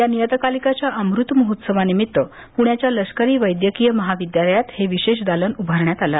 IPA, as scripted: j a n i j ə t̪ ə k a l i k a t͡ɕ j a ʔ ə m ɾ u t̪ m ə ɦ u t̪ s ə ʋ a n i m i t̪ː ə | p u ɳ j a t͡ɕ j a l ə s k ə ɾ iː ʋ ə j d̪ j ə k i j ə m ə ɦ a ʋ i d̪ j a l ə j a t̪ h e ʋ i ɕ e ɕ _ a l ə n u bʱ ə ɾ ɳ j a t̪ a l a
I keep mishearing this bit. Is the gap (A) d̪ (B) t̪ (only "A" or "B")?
A